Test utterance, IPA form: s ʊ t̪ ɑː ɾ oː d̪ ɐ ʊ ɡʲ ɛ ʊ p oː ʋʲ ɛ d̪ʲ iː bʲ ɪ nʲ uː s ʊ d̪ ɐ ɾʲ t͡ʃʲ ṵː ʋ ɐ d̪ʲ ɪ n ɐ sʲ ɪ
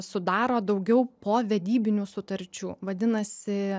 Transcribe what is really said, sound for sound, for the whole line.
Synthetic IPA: s ʊ d̪ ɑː ɾ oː d̪ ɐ ʊ ɡʲ ɛ ʊ p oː ʋʲ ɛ d̪ʲ iː bʲ ɪ nʲ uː s ʊ t̪ ɐ ɾʲ t͡ʃʲ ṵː ʋ ɐ d̪ʲ ɪ n ɐ sʲ ɪ